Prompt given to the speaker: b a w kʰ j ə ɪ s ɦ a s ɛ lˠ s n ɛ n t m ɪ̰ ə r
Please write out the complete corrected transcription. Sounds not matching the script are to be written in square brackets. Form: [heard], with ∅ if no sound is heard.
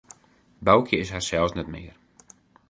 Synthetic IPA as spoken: b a w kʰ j ə ɪ s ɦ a s ɛ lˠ s n ɛ [∅] t m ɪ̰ ə r